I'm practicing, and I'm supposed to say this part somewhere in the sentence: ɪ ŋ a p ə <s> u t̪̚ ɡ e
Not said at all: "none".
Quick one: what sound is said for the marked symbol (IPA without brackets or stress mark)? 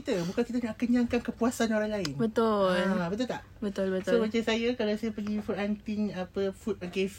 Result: f